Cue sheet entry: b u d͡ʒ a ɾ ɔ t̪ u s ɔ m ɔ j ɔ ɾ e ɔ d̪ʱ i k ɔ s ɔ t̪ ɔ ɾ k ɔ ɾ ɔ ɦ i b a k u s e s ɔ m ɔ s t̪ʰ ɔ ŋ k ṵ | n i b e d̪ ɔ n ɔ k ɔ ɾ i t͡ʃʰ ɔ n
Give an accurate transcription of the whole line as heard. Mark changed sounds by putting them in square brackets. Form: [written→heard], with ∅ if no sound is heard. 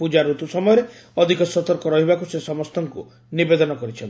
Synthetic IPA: [b→p] u d͡ʒ a ɾ [ɔ→u] t̪ u s ɔ m ɔ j ɔ ɾ e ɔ d̪ʱ i k ɔ s ɔ t̪ ɔ ɾ k ɔ ɾ ɔ ɦ i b a k u s e s ɔ m ɔ s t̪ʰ ɔ ŋ k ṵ | n i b e d̪ ɔ n ɔ k ɔ ɾ i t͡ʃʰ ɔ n